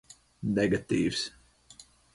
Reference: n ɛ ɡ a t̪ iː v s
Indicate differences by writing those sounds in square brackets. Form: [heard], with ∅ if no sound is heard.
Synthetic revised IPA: n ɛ ɡ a t̪ iː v s

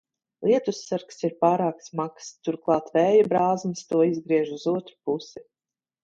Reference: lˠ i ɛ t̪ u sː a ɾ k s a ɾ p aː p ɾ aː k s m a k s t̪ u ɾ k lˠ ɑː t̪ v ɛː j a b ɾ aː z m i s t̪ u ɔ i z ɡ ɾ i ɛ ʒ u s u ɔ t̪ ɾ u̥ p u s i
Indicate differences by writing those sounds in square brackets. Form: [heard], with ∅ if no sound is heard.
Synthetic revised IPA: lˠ i ɛ t̪ u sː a ɾ k s [i] ɾ p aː [∅] ɾ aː k s m a k s t̪ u ɾ k lˠ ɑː t̪ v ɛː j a b ɾ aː z m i s t̪ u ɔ i z ɡ ɾ i ɛ ʒ u [z] u ɔ t̪ ɾ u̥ p u s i

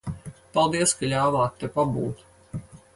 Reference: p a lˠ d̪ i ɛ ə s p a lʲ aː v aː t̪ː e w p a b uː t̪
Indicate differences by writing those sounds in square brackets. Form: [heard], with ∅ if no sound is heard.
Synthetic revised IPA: p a lˠ d̪ i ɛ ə s [k] a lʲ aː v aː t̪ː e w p a b uː t̪

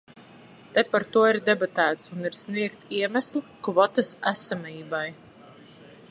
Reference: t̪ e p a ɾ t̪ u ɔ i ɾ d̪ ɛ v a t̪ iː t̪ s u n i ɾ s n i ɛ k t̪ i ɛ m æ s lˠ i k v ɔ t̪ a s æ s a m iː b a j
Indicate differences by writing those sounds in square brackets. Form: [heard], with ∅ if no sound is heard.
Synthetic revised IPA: t̪ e p a ɾ t̪ u ɔ i ɾ d̪ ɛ [b] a t̪ [æː] t̪ s u n i ɾ s n i ɛ k t̪ i ɛ m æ s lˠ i k v ɔ t̪ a s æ s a m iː b a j

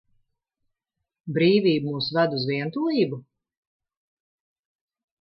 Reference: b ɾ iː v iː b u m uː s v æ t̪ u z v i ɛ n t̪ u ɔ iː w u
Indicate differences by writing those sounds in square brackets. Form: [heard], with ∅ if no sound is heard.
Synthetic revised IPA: b ɾ iː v iː b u m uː s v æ [d̪] u z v i ɛ n t̪ u ɔ iː [b] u

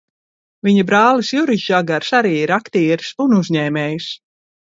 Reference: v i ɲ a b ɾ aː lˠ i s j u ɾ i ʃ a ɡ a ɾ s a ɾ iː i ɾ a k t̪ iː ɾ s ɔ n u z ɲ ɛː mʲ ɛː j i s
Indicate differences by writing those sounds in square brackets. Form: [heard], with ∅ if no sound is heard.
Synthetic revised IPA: v i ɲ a b ɾ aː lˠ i s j u ɾ i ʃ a ɡ a ɾ s a ɾ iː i ɾ a k t̪ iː ɾ s [u] n u z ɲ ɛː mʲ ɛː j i s

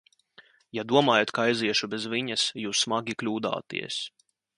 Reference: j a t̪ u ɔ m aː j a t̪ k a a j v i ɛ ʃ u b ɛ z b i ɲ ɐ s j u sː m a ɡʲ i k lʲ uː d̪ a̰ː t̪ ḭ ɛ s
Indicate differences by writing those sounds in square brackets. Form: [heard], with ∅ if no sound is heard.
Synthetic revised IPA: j a [d̪] u ɔ m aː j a t̪ k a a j [z] i ɛ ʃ u b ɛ z [v] i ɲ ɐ s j [uː] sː m a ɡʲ i k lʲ uː d̪ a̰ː t̪ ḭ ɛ s

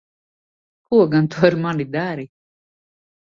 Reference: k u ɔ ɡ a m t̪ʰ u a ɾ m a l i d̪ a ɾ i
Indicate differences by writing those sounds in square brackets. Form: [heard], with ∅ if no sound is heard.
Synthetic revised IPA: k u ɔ ɡ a [n] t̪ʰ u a ɾ m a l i d̪ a ɾ i

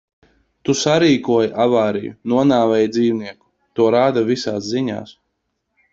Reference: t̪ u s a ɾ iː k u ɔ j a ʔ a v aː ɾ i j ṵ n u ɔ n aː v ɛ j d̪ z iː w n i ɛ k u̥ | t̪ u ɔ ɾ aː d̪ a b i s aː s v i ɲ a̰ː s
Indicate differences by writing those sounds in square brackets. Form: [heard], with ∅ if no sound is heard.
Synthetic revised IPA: t̪ u s a ɾ iː k u ɔ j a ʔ a v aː ɾ i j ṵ n u ɔ n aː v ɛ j d̪ z iː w n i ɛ k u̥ | t̪ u ɔ ɾ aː d̪ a [v] i s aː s [z] i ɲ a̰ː s

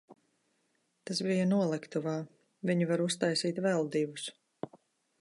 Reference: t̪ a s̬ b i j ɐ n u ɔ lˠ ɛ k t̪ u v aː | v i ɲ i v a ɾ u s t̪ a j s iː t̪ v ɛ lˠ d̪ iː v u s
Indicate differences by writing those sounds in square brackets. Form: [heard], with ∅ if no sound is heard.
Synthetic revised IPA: t̪ a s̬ b i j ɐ n u ɔ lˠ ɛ k t̪ u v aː | v i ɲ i v a ɾ u s t̪ a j s iː t̪ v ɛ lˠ d̪ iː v u s

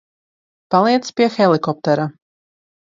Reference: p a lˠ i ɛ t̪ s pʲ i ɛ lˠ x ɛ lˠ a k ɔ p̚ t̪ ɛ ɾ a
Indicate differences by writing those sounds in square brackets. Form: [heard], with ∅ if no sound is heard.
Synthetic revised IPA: p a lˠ i ɛ t̪ s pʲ i ɛ [∅] x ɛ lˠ [i] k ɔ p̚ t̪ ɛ ɾ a

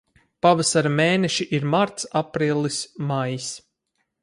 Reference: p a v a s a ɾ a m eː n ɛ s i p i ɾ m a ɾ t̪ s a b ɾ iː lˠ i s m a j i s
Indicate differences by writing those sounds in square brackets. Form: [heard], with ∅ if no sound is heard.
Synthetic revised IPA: p a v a s a ɾ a m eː n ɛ [ʃ] i [ʔ] i ɾ m a ɾ t̪ s a [p] ɾ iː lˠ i s m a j i s

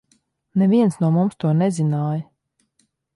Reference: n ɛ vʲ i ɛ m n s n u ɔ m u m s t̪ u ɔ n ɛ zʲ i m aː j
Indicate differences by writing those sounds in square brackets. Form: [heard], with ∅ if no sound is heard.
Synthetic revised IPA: n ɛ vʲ i ɛ [∅] n s n u ɔ m u m s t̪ u ɔ n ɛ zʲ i [n] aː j

